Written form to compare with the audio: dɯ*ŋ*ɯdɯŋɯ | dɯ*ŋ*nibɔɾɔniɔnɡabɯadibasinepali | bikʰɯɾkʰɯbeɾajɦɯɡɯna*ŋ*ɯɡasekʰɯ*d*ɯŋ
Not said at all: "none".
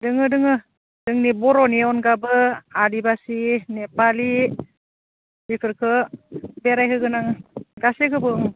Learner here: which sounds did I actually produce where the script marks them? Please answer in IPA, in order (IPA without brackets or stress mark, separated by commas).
ŋ, ŋ, ŋ, b